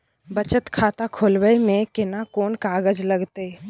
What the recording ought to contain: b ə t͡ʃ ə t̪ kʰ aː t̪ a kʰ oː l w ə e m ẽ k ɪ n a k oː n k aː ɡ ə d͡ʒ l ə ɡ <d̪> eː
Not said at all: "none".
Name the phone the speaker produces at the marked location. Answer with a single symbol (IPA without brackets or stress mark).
t̪